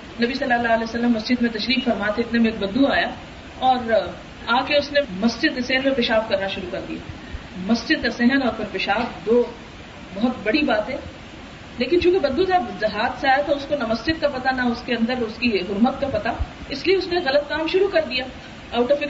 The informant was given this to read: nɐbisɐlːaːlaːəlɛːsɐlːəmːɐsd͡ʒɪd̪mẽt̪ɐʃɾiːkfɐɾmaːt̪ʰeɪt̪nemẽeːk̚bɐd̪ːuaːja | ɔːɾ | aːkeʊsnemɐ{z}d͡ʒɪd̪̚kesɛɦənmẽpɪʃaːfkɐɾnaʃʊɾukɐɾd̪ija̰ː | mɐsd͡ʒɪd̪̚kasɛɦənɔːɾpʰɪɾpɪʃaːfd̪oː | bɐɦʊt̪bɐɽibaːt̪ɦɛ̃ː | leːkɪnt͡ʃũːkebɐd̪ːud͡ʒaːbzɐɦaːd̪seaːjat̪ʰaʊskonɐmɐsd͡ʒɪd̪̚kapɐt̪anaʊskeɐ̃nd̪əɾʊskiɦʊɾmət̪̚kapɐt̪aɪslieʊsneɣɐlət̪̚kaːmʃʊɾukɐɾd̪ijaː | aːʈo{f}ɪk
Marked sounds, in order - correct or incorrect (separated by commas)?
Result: incorrect, correct